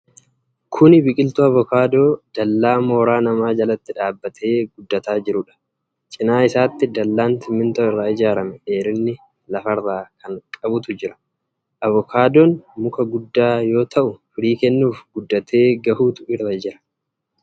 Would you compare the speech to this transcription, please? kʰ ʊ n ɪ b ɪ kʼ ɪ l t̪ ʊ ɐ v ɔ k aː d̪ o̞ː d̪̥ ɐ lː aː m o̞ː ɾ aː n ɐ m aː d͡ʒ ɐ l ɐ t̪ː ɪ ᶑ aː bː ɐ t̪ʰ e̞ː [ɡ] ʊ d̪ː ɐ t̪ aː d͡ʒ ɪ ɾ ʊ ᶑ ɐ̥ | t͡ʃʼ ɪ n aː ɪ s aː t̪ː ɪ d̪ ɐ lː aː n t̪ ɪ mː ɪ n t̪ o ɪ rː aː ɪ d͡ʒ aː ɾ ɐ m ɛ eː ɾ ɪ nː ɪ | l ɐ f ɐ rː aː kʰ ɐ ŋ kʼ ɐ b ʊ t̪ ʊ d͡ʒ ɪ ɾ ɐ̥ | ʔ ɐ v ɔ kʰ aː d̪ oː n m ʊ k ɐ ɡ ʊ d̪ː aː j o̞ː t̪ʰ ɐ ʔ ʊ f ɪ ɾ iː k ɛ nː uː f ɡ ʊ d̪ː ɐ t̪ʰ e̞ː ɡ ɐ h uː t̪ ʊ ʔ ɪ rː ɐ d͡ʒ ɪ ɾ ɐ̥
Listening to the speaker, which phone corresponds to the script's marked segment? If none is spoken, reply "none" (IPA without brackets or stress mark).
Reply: ɡ